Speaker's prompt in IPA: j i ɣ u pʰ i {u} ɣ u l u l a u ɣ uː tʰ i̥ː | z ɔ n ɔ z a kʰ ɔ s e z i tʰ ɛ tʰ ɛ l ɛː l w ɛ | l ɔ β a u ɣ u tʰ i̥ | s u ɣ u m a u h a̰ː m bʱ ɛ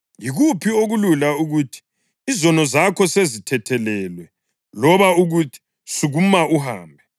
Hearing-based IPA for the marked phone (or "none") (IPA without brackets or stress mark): o